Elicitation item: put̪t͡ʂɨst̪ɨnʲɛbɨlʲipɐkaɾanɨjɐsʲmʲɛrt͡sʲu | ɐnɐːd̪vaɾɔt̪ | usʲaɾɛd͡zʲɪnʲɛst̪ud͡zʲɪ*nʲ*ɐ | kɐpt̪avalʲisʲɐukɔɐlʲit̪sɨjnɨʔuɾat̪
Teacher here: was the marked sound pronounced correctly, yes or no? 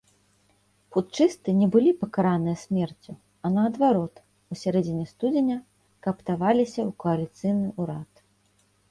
yes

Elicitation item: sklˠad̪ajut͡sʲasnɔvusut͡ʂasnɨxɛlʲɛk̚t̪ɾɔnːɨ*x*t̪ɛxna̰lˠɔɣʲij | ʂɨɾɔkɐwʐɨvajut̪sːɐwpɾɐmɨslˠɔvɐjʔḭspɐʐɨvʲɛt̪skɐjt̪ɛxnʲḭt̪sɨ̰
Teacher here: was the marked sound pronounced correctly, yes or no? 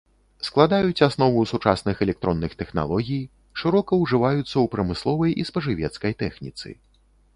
yes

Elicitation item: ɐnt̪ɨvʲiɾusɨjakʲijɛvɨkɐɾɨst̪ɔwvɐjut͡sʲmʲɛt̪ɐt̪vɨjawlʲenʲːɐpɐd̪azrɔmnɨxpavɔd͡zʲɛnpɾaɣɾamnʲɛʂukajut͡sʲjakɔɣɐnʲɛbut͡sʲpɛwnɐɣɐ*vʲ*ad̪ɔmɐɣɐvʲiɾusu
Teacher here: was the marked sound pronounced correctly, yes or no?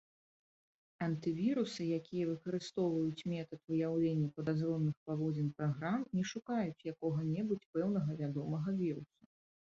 yes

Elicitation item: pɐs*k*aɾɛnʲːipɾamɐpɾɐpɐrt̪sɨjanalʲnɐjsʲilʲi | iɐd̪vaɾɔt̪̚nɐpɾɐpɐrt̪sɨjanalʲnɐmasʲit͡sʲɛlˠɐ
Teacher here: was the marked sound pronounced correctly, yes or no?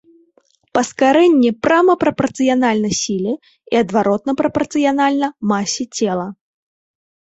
yes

